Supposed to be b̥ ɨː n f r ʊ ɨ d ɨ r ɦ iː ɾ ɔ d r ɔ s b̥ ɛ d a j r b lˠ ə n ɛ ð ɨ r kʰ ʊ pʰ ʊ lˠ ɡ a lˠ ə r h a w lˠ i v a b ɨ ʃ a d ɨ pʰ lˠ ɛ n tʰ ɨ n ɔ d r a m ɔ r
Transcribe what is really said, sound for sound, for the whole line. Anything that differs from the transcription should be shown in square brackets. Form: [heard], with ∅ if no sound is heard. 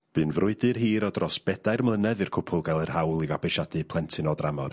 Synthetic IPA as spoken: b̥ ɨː n [v] r ʊ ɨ d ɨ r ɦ iː ɾ ɔ d r ɔ s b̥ ɛ d a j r [m] lˠ ə n ɛ ð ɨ r kʰ ʊ pʰ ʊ lˠ ɡ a lˠ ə r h a w lˠ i v a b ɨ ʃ a d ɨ pʰ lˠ ɛ n tʰ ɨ n ɔ d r a m ɔ r